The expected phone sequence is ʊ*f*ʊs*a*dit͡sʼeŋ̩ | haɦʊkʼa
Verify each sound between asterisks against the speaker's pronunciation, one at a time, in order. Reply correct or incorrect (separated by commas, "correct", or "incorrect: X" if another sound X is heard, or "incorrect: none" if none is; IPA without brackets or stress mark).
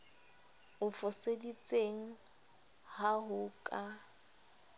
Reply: correct, incorrect: e